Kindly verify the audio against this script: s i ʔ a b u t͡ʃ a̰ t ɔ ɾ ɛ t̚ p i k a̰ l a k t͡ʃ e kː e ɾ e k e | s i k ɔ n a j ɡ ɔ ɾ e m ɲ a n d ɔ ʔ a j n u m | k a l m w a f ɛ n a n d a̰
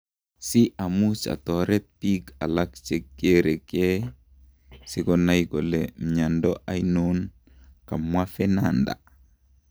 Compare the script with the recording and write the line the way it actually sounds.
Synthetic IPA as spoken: s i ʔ a m u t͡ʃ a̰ t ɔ ɾ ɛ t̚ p i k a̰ l a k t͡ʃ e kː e ɾ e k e | s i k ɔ n a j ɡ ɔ l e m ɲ a n d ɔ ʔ a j n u n | k a m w a f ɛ n a n d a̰

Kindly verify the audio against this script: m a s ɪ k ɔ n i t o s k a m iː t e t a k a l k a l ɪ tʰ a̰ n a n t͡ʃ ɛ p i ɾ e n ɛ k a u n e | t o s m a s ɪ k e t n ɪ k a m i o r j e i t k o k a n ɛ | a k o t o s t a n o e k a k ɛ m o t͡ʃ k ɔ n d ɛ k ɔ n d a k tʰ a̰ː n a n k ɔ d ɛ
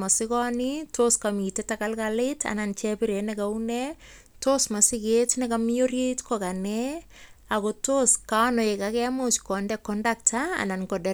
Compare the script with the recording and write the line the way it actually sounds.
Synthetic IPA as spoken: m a s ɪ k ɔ n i t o s k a m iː t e t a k a l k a l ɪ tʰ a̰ n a n t͡ʃ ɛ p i ɾ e n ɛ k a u n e | t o s m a s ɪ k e t n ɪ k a m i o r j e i t k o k a n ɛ | a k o t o s k a n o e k a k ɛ m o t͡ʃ k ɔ n d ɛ k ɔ n d a k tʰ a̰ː n a n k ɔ d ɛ

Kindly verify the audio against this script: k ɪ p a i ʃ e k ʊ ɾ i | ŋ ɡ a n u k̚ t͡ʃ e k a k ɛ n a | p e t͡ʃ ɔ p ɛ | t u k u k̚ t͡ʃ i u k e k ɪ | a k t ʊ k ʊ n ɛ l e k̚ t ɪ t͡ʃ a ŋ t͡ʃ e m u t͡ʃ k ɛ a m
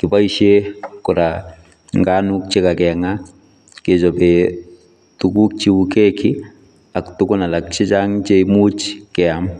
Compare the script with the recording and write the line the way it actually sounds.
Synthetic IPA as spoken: k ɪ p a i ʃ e k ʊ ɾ a | ŋ ɡ a n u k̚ t͡ʃ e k a k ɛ ŋ a | k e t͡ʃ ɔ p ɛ | t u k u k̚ t͡ʃ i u k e k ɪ | a k t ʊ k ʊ n a l a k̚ t͡ʃ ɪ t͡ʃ a ŋ t͡ʃ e m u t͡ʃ k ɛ a m

